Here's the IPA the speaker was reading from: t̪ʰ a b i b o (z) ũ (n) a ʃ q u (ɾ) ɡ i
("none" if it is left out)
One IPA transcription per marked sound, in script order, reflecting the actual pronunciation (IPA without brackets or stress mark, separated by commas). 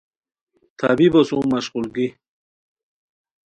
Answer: s, m, l